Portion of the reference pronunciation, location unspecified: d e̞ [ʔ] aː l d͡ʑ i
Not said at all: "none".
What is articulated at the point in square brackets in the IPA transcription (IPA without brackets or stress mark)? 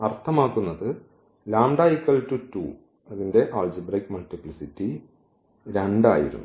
ʔ